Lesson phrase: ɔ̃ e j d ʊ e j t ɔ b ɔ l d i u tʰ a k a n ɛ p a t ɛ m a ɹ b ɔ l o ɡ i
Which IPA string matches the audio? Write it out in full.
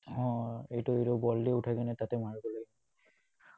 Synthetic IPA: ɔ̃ e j t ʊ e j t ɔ b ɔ l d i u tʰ a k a n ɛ t a t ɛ m a ɹ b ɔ l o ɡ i